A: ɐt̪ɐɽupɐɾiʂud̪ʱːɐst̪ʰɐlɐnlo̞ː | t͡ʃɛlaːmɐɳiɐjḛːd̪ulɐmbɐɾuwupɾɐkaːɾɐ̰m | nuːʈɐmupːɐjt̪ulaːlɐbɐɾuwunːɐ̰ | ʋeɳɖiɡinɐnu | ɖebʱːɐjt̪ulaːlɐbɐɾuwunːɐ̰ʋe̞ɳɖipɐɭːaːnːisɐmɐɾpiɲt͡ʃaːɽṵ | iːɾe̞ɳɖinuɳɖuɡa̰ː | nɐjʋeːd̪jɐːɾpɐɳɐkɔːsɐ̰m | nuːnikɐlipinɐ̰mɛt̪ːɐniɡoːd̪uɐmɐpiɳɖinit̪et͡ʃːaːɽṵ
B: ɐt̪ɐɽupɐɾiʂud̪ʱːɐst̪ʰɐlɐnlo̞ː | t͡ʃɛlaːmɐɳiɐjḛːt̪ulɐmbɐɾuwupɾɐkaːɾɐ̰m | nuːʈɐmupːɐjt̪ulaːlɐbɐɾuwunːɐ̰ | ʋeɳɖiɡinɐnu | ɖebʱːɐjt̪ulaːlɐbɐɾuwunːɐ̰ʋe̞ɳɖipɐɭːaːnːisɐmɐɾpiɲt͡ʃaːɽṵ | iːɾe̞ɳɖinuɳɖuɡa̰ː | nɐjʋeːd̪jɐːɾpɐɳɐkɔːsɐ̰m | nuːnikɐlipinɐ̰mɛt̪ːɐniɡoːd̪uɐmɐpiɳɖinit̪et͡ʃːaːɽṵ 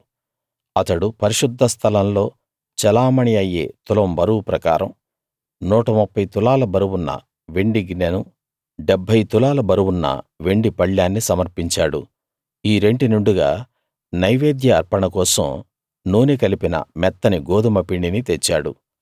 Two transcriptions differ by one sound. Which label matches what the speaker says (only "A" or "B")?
B